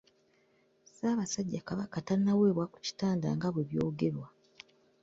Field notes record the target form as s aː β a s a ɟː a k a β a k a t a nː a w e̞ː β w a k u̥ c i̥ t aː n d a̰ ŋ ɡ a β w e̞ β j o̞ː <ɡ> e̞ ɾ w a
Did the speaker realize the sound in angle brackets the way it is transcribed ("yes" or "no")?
yes